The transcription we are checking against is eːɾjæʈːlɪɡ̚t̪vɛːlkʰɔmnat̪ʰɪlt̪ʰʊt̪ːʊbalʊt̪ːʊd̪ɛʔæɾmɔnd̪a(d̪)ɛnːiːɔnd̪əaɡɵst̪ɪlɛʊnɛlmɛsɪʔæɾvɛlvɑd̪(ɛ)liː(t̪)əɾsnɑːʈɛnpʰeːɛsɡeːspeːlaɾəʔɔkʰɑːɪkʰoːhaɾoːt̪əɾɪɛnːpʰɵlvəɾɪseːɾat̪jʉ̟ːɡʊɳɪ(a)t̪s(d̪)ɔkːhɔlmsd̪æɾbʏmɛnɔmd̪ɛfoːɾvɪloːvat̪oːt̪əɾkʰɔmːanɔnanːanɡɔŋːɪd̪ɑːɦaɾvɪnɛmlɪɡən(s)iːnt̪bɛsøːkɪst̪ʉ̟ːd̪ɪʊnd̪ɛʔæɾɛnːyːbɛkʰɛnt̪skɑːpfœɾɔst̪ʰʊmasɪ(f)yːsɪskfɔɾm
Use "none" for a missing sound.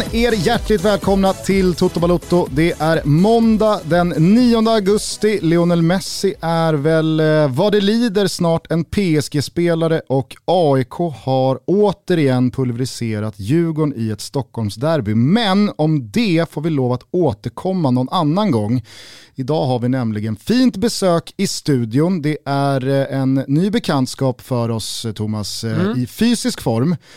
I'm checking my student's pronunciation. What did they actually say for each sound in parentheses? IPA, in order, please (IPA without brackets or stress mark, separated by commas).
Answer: d̪, ɛ, d̪, ɛ, t̪, f, f